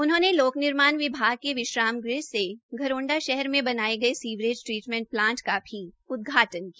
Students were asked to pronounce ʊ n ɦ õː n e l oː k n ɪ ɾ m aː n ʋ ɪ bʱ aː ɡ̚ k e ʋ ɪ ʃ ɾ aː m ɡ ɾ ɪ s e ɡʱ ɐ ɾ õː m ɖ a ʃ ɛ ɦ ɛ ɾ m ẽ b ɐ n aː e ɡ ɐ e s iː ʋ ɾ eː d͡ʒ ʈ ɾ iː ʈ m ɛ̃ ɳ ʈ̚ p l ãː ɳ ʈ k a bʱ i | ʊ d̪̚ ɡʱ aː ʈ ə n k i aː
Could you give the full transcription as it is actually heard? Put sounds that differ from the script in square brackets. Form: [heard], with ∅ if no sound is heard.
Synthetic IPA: ʊ n ɦ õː n e l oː k n ɪ ɾ m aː n ʋ ɪ bʱ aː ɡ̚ k e ʋ ɪ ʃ ɾ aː m ɡ ɾ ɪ s e ɡʱ ɐ ɾ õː [ɳ] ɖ a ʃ ɛ ɦ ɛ ɾ m ẽ b ɐ n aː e ɡ ɐ e s iː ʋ ɾ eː d͡ʒ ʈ ɾ iː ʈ m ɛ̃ ɳ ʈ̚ p l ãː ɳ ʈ k a bʱ i | ʊ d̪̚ ɡʱ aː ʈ ə n k i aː